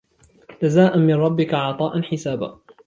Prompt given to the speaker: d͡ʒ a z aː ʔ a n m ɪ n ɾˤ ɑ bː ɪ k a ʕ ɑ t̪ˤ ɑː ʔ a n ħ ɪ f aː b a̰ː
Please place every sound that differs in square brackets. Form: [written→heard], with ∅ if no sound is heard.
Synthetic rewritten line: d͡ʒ a z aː ʔ a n m ɪ n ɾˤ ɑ bː ɪ k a ʕ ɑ t̪ˤ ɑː ʔ a n ħ ɪ [f→s] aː b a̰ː

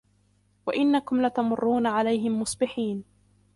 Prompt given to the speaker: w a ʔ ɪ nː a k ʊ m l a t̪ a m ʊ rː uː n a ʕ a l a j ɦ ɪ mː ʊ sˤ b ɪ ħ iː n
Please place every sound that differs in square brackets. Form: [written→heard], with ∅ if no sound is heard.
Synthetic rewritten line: w a ʔ ɪ nː a k ʊ m l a t̪ a m ʊ rː uː n a ʕ a l a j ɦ ɪ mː ʊ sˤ b ɪ ħ iː n

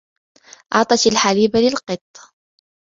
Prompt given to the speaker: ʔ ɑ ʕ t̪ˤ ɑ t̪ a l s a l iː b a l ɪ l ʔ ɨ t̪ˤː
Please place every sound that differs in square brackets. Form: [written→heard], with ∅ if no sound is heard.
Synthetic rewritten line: ʔ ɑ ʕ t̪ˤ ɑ t̪ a l [s→ħ] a l iː b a l ɪ l [ʔ→q] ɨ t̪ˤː

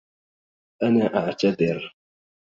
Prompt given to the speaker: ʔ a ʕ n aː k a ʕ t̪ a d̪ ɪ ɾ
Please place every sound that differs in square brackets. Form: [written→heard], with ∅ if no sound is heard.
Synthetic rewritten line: ʔ a [ʕ→∅] n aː [k→ʔ] a ʕ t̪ a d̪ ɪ ɾ

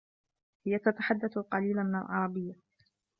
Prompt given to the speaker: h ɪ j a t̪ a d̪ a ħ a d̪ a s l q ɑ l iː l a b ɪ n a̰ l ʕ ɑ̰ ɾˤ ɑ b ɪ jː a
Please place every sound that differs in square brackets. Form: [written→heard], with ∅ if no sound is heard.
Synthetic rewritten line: h ɪ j a t̪ a [d̪→t̪] a ħ a [d̪→d̪ː] a [s→θ] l q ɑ l iː l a [b→m] ɪ n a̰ l ʕ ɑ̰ ɾˤ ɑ b ɪ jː a

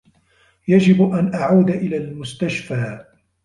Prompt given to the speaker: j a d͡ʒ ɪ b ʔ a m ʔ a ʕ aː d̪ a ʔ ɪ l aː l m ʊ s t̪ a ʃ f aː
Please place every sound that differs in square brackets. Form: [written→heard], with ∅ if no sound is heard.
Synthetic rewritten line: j a d͡ʒ ɪ b ʔ a [m→n] ʔ a ʕ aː d̪ a ʔ ɪ l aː l m ʊ s t̪ a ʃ f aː

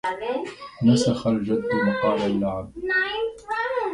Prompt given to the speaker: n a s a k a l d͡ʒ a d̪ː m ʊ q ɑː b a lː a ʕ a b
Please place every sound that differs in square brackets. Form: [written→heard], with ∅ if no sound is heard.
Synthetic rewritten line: n a s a [k→x] a l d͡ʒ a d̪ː m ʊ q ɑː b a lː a ʕ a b

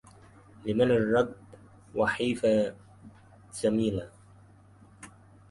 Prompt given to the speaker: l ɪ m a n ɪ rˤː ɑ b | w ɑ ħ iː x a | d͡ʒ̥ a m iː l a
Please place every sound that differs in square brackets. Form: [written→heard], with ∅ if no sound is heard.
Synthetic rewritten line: l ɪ m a n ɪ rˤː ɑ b | w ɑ ħ iː [x→f] a | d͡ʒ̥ a m iː l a

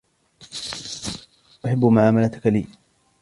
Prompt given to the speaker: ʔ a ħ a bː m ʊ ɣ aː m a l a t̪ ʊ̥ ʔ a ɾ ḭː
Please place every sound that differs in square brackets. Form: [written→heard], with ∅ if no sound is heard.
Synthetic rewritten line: ʔ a ħ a bː m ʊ [ɣ→ʕ] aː m a l a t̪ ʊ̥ [ʔ→k] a [ɾ→l] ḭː

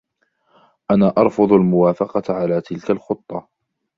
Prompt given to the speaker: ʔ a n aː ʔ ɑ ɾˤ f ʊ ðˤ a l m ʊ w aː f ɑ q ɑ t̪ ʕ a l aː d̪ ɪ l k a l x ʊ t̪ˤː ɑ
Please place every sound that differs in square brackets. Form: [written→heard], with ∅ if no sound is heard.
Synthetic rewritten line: ʔ a n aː ʔ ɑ ɾˤ f ʊ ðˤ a l m ʊ w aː f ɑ q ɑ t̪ ʕ a l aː [d̪→t̪] ɪ l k a l x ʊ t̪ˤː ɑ

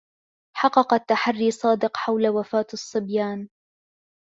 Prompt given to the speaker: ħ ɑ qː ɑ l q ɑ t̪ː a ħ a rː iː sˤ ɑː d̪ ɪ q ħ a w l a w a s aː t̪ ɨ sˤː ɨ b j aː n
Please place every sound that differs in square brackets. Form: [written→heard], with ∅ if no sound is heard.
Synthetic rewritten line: ħ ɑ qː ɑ [l→∅] q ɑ t̪ː a ħ a rː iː sˤ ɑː d̪ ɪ q ħ a w l a w a [s→f] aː t̪ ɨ sˤː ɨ b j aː n

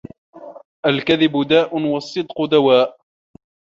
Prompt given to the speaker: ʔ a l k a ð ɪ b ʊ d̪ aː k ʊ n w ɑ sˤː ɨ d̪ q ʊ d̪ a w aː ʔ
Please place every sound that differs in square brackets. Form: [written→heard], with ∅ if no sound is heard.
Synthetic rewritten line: ʔ a l k a ð ɪ b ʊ d̪ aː [k→ʔ] ʊ n w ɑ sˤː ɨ d̪ q ʊ d̪ a w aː ʔ

